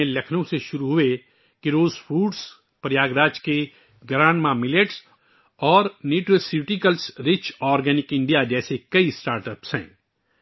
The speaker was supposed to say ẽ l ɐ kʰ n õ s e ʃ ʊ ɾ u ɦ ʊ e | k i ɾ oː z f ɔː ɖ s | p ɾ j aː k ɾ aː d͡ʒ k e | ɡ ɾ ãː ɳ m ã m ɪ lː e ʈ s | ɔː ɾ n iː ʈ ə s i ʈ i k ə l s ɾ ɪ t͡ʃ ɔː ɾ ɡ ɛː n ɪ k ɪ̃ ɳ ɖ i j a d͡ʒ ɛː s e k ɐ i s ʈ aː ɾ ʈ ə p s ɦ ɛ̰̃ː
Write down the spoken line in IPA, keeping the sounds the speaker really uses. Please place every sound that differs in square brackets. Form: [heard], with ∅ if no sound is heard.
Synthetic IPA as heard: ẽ l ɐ kʰ n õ s e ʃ ʊ ɾ u ɦ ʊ e | k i ɾ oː z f [uː] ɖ s | p ɾ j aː [ɡ] ɾ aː d͡ʒ k e | ɡ ɾ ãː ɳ m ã m ɪ [l] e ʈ s | ɔː ɾ n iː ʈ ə s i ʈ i k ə l s ɾ ɪ t͡ʃ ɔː ɾ ɡ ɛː n ɪ k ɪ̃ ɳ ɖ i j a d͡ʒ ɛː s e k ɐ i s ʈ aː ɾ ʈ ə p s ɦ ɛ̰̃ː

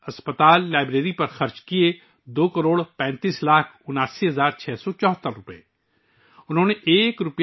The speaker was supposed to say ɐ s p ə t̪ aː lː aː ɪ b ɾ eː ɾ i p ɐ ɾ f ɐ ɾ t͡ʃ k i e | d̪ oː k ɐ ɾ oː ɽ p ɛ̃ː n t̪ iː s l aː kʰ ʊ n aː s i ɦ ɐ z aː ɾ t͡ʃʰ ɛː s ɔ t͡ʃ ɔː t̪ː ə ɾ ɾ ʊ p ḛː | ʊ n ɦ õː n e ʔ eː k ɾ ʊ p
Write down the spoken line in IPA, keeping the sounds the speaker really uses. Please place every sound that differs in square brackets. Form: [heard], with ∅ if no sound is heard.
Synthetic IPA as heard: ɐ s p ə t̪ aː lː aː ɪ b ɾ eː ɾ i p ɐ ɾ [x] ɐ ɾ t͡ʃ k i e | d̪ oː k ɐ ɾ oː ɽ p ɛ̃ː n t̪ iː s l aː kʰ ʊ n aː s i ɦ ɐ z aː ɾ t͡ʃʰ ɛː s ɔ t͡ʃ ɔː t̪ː ə ɾ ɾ ʊ p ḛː | ʊ n ɦ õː n e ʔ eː k ɾ ʊ p

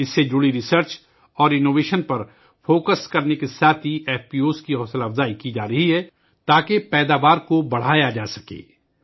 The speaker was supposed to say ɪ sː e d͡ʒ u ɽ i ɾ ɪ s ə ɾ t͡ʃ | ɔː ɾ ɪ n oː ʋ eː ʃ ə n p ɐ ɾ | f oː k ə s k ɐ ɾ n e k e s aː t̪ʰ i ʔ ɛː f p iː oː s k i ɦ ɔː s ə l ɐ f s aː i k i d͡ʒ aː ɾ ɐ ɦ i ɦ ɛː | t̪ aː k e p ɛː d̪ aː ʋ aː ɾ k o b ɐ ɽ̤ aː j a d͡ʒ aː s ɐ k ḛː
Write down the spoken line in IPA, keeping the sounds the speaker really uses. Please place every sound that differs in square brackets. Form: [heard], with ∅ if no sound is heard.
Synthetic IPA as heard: ɪ sː e d͡ʒ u ɽ i ɾ ɪ s ə ɾ t͡ʃ | ɔː ɾ ɪ n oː ʋ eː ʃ ə n p ɐ ɾ | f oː k ə s k ɐ ɾ n e k e s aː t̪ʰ i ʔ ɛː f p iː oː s k i ɦ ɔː s ə l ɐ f [z] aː i k i d͡ʒ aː ɾ ɐ ɦ i ɦ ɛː | t̪ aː k e p ɛː d̪ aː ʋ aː ɾ k o b ɐ ɽ̤ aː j a d͡ʒ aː s ɐ k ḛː

